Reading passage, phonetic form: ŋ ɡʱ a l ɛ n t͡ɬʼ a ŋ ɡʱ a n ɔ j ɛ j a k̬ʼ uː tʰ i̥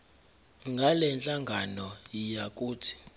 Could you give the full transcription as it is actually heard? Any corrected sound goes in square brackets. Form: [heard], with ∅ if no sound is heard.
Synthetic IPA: ŋ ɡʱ a l ɛ n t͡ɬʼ a ŋ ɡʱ a n ɔ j [i] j a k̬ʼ uː tʰ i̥